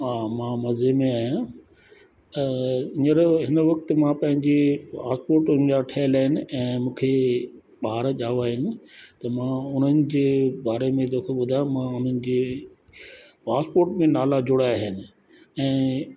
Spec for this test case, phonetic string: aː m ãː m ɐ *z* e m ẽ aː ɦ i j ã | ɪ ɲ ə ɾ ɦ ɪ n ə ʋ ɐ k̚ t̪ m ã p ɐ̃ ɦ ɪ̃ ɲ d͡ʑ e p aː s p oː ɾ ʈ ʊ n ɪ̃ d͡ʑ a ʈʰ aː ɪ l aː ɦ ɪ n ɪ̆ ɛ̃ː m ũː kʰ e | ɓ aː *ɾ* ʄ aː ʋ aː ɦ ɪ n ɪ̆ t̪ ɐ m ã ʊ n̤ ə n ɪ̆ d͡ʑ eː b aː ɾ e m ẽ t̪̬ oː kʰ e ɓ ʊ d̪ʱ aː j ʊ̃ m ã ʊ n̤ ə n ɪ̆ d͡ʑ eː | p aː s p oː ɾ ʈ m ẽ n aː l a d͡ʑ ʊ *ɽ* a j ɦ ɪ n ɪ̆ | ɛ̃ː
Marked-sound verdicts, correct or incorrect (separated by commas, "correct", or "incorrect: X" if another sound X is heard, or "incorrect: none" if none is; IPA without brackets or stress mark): correct, correct, correct